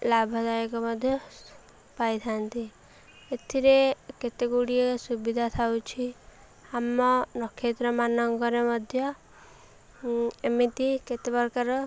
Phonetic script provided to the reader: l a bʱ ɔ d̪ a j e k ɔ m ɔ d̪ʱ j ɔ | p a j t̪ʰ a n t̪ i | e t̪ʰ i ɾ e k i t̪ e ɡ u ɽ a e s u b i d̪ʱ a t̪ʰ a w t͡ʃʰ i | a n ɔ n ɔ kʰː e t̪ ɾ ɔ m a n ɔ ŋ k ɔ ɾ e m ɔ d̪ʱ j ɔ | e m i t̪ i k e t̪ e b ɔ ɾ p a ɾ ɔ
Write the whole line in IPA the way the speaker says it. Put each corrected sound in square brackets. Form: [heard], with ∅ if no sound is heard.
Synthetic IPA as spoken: l a bʱ ɔ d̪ a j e k ɔ m ɔ d̪ʱ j ɔ | p a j t̪ʰ a n t̪ i | e t̪ʰ i ɾ e k [e] t̪ e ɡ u ɽ [i] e s u b i d̪ʱ a t̪ʰ a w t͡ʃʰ i | a [m] ɔ n ɔ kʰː e t̪ ɾ ɔ m a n ɔ ŋ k ɔ ɾ e m ɔ d̪ʱ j ɔ | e m i t̪ i k e t̪ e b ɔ ɾ [k] a ɾ ɔ